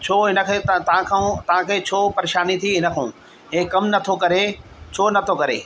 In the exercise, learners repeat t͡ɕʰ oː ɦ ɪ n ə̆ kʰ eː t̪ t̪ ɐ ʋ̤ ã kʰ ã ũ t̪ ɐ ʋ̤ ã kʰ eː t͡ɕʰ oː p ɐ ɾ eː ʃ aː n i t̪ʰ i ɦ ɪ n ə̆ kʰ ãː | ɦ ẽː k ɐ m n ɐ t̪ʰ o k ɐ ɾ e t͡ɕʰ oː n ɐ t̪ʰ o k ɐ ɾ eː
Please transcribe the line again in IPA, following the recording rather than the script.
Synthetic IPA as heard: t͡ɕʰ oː ɦ ɪ n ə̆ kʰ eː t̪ t̪ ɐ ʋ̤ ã kʰ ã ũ t̪ ɐ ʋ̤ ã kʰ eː t͡ɕʰ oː p ɐ ɾ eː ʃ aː n i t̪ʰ i ɦ ɪ n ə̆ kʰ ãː | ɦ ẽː k ɐ m n ɐ t̪ʰ o k ɐ ɾ e t͡ɕʰ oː n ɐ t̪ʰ o k ɐ ɾ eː

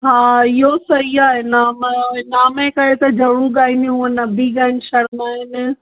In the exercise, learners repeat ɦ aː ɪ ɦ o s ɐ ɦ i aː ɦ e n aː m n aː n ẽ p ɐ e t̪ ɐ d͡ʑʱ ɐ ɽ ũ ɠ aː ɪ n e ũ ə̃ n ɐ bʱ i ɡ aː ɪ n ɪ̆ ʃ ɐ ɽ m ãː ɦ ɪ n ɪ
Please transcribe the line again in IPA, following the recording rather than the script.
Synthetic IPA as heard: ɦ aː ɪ ɦ o s ɐ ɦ i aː ɦ e n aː m n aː m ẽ k ɐ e t̪ ɐ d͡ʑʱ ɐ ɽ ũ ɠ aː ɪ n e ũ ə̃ n ɐ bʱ i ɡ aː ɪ n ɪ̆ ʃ ɐ ɽ m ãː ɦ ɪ n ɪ

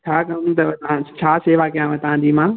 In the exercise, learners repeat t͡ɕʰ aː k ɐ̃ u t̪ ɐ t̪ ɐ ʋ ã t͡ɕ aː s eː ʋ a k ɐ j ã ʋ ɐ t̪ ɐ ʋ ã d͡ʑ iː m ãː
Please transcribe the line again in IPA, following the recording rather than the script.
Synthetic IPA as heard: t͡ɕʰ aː k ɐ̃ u t̪ ɐ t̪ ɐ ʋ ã t͡ɕʰ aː s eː ʋ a k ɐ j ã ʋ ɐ t̪ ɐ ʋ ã d͡ʑ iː m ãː

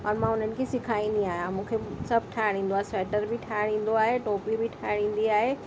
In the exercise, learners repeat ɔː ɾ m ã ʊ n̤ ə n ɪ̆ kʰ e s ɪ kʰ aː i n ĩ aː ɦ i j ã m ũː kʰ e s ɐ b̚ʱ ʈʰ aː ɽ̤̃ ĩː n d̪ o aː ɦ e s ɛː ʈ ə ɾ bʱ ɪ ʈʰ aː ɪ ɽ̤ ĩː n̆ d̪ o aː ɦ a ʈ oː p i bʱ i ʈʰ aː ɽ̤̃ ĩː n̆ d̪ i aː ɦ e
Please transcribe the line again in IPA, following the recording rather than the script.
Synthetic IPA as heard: ɔː ɾ m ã ʊ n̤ ə n ɪ̆ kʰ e s ɪ kʰ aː i n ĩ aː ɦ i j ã m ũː kʰ e s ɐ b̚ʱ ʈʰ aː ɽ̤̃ ĩː n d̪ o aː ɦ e s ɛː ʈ ə ɾ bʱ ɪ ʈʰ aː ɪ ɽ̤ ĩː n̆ d̪ o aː ɦ e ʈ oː p i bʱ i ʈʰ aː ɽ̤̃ ĩː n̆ d̪ i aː ɦ e

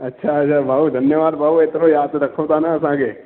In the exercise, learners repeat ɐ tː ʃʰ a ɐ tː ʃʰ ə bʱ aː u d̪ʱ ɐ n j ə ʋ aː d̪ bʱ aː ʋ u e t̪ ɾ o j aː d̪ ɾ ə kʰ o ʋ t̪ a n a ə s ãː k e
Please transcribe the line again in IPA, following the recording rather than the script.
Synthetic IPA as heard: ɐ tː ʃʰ a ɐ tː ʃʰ a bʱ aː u d̪ʱ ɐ n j ə ʋ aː d̪ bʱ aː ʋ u e t̪ ɾ o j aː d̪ ɾ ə kʰ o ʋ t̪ a n a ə s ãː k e

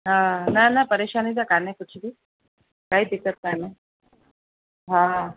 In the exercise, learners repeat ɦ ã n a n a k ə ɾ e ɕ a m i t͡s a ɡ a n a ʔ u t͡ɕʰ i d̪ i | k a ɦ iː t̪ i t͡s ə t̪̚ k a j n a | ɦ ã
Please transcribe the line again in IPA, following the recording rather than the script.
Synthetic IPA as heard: ɦ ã n a n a p ə ɾ e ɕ a n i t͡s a k a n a k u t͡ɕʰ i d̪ i | k a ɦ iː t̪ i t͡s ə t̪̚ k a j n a | ɦ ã

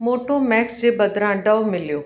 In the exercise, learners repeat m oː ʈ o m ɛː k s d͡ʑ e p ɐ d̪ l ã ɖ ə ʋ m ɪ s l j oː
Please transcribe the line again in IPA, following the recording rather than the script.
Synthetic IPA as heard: m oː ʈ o m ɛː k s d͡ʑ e b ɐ d̪ ɾ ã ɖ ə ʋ m ɪ l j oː

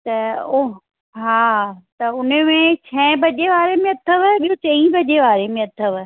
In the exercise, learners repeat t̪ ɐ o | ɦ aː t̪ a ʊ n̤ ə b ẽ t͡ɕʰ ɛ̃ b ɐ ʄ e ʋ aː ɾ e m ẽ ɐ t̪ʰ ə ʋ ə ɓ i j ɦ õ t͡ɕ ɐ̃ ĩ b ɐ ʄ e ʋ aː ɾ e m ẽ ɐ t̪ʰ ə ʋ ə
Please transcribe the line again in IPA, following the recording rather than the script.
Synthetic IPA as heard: t̪ ɐ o | ɦ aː t̪ ɐ ʊ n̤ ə m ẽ t͡ɕʰ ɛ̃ b ɐ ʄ e ʋ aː ɾ e m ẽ ɐ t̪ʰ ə ʋ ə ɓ i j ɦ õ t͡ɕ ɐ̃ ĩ b ɐ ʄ e ʋ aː ɾ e m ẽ ɐ t̪ʰ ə ʋ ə

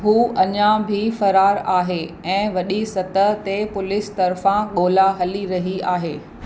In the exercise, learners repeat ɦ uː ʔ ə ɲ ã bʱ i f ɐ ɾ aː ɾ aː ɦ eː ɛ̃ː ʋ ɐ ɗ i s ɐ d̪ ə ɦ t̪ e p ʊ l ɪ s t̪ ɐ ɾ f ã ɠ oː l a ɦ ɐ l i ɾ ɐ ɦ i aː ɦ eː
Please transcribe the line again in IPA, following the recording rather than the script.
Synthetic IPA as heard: ɦ uː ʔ ɐ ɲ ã bʱ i f ɐ ɾ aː ɾ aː ɦ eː ɛ̃ː ʋ ɐ ɗ i s ɐ t̪ ə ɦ t̪ e p ʊ l ɪ s t̪ ɐ ɾ f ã ɠ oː l a ɦ ɐ l i ɾ ɐ ɦ i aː ɦ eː

